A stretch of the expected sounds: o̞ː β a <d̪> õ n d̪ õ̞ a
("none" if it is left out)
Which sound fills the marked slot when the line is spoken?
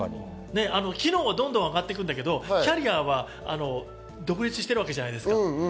d̪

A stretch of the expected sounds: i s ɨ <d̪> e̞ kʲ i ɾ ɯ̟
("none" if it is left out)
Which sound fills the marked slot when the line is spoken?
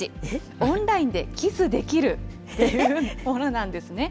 d̪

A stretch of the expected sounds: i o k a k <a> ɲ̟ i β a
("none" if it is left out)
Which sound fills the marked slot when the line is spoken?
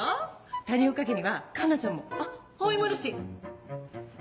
e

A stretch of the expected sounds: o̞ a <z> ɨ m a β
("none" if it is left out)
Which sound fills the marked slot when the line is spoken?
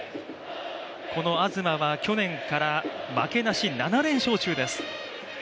z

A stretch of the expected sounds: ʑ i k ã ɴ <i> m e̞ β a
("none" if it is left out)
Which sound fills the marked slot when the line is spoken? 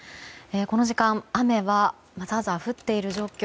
a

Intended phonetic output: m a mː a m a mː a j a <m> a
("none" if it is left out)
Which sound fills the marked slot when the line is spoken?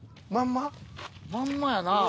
n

